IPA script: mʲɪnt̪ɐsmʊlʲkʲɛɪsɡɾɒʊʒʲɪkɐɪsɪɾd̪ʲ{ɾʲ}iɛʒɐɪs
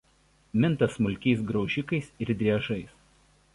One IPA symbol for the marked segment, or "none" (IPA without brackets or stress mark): ɾʲ